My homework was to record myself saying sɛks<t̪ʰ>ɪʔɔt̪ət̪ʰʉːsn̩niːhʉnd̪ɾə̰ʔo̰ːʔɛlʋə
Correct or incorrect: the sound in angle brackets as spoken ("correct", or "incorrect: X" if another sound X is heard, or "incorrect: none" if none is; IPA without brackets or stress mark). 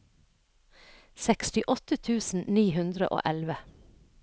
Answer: incorrect: t̪